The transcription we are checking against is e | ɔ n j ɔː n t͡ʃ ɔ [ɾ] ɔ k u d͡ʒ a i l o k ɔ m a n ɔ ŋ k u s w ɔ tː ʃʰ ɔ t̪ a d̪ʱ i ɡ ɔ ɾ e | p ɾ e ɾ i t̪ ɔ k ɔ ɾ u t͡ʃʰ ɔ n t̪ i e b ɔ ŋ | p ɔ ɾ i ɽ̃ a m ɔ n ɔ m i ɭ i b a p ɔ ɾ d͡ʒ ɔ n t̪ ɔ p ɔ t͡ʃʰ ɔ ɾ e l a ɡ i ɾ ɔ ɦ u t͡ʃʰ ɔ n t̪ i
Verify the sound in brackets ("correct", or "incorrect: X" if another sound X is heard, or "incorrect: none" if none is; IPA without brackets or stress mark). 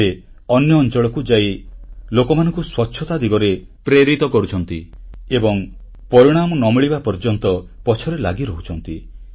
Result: incorrect: ɭ